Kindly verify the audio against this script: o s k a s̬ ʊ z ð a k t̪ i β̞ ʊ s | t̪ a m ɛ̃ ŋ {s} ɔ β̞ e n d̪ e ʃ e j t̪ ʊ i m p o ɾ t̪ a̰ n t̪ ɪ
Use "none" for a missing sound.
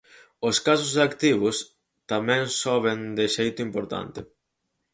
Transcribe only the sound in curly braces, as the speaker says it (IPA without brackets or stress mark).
s